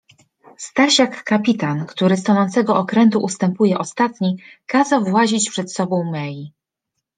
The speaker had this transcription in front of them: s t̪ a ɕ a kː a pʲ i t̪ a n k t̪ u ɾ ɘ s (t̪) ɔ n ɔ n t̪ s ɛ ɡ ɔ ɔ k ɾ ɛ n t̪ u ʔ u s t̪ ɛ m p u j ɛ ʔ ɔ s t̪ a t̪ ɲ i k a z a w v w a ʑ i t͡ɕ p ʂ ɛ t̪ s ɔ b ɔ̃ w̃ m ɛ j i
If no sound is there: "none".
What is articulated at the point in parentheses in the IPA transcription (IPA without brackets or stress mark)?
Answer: t̪